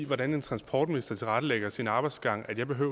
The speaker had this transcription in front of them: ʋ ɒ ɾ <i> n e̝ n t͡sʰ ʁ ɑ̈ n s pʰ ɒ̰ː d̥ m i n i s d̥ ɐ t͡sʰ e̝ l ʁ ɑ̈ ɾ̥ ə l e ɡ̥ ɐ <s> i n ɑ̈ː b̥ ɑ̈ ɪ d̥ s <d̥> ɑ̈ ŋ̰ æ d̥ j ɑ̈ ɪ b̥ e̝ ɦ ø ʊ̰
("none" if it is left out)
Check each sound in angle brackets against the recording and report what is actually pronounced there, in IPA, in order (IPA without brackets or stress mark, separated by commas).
æ, s, ɡ̥